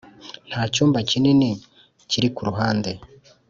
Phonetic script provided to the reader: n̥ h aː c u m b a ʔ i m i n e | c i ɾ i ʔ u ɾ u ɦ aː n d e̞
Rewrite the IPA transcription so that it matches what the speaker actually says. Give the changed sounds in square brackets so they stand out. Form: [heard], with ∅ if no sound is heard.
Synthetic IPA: n̥ h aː c [uː] m b a [c] i [n] i n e | c i ɾ i [k] u ɾ u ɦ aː n d e̞